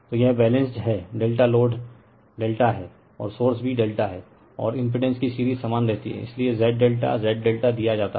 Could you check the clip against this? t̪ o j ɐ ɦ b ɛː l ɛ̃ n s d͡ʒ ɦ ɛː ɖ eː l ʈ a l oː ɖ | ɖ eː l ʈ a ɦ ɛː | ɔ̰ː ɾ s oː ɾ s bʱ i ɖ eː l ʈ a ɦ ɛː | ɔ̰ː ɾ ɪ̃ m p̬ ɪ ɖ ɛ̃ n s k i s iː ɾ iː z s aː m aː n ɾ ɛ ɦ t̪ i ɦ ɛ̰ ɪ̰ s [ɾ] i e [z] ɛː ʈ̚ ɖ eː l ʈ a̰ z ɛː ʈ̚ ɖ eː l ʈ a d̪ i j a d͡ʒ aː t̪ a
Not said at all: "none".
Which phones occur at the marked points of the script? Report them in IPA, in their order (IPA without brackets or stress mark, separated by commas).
l, z